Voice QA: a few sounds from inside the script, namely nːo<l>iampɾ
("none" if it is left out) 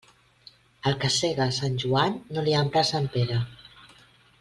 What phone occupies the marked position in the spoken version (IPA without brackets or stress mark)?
l